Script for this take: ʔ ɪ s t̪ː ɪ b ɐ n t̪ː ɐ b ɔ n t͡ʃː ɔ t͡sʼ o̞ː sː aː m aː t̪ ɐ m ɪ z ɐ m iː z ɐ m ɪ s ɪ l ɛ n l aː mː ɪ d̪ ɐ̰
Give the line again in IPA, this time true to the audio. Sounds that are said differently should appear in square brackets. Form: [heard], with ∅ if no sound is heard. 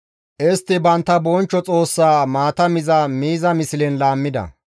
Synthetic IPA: ʔ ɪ s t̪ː ɪ b ɐ n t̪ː ɐ b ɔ n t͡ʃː ɔ t͡sʼ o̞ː sː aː m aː t̪ ɐ m ɪ z ɐ m iː z ɐ m ɪ s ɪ l ɛ n l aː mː ɪ d̪ ɐ̰